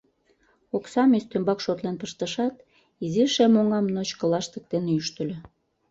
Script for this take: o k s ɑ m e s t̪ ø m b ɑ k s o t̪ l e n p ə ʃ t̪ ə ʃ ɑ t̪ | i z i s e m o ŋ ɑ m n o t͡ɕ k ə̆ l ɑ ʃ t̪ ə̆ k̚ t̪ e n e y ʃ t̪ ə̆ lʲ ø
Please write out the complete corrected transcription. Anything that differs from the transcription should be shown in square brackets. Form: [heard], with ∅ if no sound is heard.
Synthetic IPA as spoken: o k s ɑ m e s t̪ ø m b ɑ k [ʃ] o t̪ l e n p ə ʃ t̪ ə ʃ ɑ t̪ | i z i [ʃ] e m o ŋ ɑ m n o t͡ɕ k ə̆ l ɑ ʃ t̪ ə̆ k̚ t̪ e n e y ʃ t̪ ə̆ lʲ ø